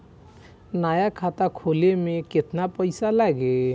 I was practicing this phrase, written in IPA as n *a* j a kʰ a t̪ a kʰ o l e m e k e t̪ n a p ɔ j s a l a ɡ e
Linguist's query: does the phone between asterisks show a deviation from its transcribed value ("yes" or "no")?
no